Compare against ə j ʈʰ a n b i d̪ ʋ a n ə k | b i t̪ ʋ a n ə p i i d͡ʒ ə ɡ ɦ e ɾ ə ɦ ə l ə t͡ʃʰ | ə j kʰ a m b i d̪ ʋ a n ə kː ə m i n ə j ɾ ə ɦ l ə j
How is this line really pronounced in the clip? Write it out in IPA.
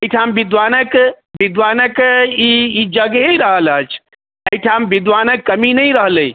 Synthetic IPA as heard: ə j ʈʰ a m b i d̪ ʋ a n ə k | b i d̪ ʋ a n ə k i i d͡ʒ ə ɡ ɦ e ɾ ə ɦ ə l ə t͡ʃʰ | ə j ʈʰ a m b i d̪ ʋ a n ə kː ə m i n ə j ɾ ə ɦ l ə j